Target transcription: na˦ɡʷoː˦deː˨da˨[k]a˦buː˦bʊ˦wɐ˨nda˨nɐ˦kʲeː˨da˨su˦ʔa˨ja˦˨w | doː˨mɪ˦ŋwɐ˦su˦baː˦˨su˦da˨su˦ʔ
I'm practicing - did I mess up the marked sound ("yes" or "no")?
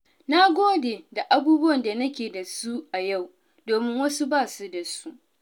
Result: yes